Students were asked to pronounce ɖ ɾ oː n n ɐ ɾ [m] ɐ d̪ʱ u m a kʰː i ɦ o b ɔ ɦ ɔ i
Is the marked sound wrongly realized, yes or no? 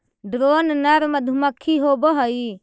no